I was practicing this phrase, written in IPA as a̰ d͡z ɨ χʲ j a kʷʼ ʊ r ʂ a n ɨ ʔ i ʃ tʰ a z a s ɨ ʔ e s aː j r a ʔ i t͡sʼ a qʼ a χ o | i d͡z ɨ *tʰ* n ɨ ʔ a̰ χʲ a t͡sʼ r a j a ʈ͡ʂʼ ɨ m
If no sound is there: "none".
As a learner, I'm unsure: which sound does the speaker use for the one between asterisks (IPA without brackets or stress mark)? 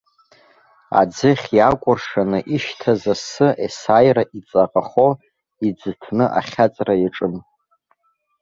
tʰ